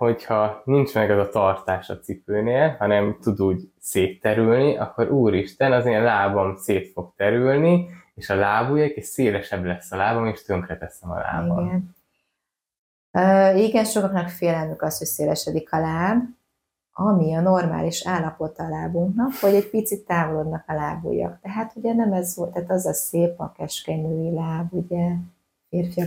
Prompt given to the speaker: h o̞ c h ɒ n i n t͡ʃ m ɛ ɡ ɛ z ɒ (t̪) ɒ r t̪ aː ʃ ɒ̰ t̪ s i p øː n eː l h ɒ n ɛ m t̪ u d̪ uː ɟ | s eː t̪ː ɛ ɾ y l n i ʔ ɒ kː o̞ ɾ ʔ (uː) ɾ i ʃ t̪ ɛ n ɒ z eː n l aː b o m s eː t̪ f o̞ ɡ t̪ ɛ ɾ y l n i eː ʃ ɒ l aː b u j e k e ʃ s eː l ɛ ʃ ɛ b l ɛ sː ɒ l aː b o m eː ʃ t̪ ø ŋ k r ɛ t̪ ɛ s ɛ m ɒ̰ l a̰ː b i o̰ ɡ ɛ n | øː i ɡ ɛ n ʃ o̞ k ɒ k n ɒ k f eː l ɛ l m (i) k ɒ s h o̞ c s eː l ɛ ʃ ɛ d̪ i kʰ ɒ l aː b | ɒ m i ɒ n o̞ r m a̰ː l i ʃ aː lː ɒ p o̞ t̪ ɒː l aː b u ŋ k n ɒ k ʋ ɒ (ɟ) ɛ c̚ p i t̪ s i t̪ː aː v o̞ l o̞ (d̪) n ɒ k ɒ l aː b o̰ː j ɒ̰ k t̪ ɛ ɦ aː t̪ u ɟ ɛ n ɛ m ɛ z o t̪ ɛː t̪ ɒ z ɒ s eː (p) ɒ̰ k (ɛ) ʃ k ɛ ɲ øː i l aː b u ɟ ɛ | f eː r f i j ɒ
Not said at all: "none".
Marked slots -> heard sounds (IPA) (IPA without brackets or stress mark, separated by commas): t̪, uː, y, ɟ, d̪, p, ɛ